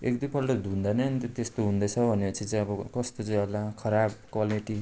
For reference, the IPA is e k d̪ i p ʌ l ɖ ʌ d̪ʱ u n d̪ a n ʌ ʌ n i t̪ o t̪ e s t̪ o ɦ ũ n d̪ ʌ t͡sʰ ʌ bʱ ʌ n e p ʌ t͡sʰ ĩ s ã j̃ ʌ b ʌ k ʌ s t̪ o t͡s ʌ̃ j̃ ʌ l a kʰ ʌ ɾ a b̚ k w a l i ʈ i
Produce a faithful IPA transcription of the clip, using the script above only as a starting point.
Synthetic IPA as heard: e k d̪ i p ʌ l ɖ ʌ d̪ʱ u n d̪ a n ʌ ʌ n i t̪ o t̪ e s t̪ o ɦ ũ n d̪ ʌ t͡sʰ ʌ bʱ ʌ n e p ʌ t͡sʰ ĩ t͡s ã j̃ ʌ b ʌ k ʌ s t̪ o t͡s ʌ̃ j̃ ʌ l a kʰ ʌ ɾ a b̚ k w a l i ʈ i